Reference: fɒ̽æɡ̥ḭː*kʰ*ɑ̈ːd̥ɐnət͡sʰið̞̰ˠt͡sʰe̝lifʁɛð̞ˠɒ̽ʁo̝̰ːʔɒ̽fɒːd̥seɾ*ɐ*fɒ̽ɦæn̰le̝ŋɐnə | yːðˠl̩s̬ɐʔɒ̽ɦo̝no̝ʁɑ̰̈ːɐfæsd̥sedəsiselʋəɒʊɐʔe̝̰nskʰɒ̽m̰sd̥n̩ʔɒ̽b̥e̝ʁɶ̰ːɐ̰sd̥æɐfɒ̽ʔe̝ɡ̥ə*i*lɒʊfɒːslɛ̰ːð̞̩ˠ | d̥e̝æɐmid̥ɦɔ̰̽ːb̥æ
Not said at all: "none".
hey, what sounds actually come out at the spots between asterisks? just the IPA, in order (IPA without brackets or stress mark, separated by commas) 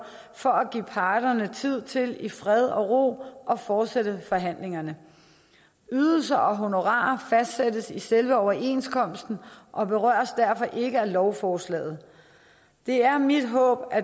pʰ, ə, æ